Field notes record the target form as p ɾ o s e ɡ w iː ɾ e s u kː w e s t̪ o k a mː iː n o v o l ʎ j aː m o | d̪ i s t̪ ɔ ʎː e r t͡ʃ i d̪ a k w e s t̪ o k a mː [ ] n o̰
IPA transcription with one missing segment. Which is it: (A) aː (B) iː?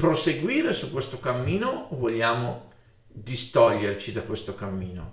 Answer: B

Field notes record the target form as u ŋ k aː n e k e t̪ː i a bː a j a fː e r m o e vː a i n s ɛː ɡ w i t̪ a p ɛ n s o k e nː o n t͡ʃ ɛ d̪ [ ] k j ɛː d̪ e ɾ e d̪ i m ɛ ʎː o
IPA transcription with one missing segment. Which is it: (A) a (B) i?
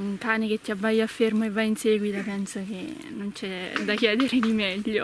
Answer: A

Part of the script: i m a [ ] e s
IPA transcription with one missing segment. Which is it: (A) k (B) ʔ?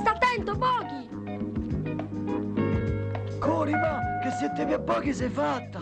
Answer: A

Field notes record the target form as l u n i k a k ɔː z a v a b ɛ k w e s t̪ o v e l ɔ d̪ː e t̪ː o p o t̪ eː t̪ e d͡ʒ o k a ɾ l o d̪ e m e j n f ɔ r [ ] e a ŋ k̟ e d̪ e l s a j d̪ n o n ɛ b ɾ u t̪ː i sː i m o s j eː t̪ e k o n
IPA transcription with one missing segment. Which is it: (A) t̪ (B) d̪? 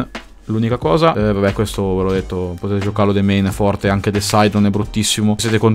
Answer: A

